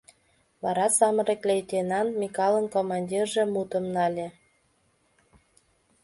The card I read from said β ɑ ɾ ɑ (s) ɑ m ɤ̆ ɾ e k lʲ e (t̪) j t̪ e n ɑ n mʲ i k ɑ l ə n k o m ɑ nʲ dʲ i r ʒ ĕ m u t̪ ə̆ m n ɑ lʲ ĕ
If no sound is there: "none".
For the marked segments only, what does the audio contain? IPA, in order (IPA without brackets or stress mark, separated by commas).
s, none